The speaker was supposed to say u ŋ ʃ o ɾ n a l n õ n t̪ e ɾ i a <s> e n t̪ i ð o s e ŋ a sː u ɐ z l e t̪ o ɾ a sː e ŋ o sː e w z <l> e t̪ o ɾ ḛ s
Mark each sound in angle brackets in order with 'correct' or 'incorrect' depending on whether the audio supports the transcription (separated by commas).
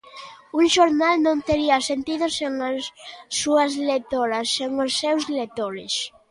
correct, correct